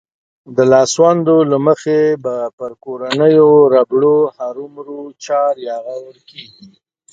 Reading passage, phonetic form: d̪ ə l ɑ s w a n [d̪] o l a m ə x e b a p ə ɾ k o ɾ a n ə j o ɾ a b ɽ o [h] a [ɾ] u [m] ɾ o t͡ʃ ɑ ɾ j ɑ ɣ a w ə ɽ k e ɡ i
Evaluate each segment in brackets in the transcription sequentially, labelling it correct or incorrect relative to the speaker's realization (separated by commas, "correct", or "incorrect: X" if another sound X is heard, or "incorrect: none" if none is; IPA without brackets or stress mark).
correct, correct, correct, correct